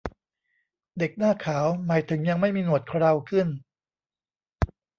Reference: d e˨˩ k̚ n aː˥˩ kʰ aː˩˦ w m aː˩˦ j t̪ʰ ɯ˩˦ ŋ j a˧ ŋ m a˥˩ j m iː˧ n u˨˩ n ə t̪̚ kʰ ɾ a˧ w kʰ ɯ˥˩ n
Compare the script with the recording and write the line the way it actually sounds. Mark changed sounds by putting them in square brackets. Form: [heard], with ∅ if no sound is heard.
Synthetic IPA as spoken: d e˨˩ k̚ n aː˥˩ kʰ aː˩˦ w m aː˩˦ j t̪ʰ ɯ˩˦ ŋ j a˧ ŋ m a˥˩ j m iː˧ n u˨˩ [∅] ə t̪̚ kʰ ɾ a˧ w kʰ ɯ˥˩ n